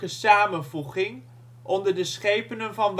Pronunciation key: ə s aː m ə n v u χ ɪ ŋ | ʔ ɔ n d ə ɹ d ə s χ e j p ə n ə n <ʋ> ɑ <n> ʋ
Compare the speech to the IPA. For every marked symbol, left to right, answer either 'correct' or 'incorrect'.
incorrect: v, correct

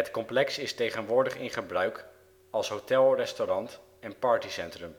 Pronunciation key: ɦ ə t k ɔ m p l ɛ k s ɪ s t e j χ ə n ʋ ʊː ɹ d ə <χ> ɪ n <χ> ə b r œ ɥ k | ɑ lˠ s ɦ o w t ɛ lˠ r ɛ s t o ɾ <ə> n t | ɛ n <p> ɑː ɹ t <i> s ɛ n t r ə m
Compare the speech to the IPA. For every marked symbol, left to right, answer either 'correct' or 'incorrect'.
correct, correct, incorrect: ɑ, correct, correct

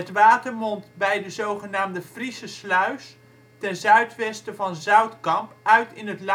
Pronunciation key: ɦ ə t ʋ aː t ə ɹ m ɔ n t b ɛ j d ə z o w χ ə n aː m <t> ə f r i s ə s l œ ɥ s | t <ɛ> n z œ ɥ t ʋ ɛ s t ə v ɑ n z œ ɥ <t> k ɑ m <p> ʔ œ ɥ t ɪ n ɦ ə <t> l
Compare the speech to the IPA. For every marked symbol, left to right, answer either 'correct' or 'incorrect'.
incorrect: d, correct, correct, correct, correct

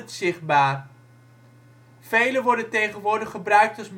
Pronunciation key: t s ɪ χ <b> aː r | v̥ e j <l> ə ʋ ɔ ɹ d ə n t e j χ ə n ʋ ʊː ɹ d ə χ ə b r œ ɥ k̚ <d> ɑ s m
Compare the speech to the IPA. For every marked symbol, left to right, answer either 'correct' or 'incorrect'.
correct, correct, incorrect: t

